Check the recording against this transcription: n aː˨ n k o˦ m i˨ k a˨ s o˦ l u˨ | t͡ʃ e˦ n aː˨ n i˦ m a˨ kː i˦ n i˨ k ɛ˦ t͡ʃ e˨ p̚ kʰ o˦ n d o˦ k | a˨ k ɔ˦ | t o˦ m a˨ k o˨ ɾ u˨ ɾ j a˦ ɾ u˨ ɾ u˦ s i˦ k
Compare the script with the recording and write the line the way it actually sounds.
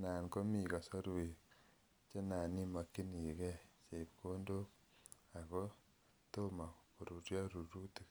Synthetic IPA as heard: n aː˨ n k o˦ m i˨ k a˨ s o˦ ɾ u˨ | t͡ʃ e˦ n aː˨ n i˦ m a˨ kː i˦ n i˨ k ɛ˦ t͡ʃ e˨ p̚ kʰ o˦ n d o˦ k | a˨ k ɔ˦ | t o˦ m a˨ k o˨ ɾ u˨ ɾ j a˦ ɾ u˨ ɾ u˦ t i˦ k